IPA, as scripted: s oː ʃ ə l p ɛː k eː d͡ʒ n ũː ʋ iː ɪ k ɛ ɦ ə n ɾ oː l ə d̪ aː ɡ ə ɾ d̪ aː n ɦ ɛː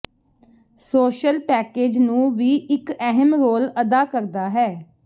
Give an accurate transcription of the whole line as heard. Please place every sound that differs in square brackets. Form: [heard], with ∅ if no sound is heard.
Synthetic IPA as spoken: s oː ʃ ə l p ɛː k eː d͡ʒ n ũː ʋ iː ɪ k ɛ ɦ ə [m] ɾ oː l ə d̪ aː [k] ə ɾ d̪ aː [∅] ɦ ɛː